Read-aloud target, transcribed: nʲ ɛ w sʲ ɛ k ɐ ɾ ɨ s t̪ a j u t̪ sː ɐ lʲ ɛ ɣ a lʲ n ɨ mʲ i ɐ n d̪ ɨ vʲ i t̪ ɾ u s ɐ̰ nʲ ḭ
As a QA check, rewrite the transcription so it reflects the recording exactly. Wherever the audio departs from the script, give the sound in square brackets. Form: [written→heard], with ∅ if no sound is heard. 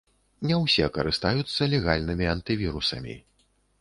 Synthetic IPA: nʲ ɛ w sʲ ɛ k ɐ ɾ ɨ s t̪ a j u t̪ sː ɐ lʲ ɛ ɣ a lʲ n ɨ mʲ i ɐ n [d̪→t̪] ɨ vʲ i [t̪→∅] ɾ u s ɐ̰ [nʲ→mʲ] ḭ